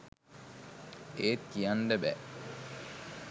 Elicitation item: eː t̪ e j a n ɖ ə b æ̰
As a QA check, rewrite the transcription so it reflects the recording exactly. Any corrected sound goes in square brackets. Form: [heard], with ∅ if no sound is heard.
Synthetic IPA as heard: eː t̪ [i] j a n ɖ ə b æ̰